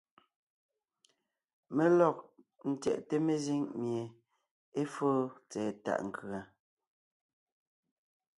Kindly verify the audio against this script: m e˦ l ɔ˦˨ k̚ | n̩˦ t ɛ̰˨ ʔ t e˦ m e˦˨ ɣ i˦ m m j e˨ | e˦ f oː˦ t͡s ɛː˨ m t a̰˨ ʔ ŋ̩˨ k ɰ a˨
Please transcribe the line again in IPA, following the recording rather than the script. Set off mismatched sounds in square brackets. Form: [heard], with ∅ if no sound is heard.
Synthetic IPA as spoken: m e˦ l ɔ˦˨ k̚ | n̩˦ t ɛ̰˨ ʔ t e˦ m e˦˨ [z] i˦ [ŋ] m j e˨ | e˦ f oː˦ t͡s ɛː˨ [∅] t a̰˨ ʔ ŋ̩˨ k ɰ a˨